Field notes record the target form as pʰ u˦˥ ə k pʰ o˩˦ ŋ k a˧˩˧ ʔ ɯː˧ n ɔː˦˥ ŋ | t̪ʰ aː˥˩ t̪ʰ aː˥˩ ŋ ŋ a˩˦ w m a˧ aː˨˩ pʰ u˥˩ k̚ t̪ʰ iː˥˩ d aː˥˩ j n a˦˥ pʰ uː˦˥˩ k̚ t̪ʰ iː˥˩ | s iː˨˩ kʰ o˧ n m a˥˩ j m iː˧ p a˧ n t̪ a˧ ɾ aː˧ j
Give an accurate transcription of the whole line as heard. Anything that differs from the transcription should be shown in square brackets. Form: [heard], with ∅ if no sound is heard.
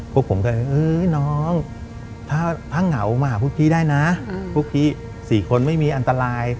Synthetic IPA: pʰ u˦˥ ə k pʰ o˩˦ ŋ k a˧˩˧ ʔ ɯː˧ n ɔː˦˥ ŋ | t̪ʰ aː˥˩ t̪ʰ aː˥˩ ŋ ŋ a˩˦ w m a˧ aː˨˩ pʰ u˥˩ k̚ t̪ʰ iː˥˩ d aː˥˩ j n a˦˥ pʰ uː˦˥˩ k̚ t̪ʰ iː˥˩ | s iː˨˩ kʰ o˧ n m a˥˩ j m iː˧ [ʔ] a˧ n t̪ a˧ ɾ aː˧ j